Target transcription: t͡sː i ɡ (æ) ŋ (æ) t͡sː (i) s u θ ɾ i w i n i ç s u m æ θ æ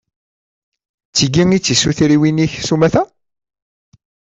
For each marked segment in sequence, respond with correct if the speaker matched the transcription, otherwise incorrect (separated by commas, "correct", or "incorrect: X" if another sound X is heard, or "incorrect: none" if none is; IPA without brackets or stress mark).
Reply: incorrect: i, incorrect: i, correct